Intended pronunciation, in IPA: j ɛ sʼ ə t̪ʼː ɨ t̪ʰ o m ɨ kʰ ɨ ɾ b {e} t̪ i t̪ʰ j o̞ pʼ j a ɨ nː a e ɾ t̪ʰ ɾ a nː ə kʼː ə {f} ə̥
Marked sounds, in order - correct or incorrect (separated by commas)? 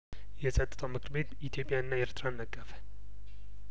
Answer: correct, correct